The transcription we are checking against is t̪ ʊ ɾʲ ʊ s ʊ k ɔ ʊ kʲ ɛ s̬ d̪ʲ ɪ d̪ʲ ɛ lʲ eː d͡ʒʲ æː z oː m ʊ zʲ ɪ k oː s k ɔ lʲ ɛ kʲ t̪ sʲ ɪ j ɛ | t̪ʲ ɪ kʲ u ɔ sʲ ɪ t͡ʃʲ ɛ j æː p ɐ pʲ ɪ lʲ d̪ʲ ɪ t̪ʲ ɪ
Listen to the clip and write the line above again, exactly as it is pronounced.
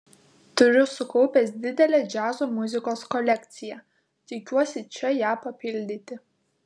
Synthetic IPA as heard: t̪ ʊ ɾʲ ʊ s ʊ k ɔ ʊ pʲ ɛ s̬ d̪ʲ ɪ d̪ʲ ɛ lʲ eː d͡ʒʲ æː z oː m ʊ zʲ ɪ k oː s k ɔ lʲ ɛ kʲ t̪ sʲ ɪ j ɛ | t̪ʲ ɪ kʲ u ɔ sʲ ɪ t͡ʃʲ ɛ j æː p ɐ pʲ ɪ lʲ d̪ʲ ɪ t̪ʲ ɪ